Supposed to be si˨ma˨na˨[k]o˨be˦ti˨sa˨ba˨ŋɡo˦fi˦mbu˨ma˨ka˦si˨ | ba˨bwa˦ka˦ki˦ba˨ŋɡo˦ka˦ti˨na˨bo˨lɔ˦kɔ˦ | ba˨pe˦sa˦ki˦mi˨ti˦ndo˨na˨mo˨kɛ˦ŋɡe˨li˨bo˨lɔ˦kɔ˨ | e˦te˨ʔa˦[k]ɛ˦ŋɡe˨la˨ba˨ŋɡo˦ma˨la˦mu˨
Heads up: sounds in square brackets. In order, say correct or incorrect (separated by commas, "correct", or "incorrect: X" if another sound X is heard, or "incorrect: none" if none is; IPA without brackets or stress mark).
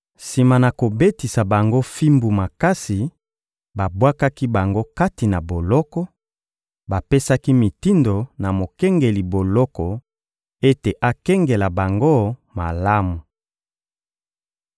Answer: correct, correct